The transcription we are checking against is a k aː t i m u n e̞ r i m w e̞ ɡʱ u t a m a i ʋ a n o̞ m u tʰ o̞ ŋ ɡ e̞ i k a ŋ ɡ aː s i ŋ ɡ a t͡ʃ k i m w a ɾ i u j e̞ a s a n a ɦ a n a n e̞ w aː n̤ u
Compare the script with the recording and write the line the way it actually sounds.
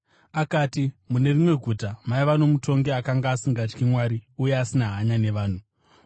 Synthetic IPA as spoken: a k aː t i m u n e̞ r i m w e̞ ɡʱ u t a m a i ʋ a n o̞ m u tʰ o̞ ŋ ɡ e̞ a k a ŋ ɡ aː s i ŋ ɡ a t͡ʃ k i m w a ɾ i u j e̞ a s i n a ɦ a ɲ a n e̞ ʋ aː n̤ u